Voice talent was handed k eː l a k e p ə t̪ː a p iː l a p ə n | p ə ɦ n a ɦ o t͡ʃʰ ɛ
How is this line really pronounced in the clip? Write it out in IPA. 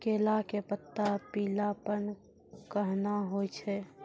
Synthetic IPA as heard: k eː l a k e p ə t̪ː a p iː l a p ə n | k ə ɦ n a ɦ o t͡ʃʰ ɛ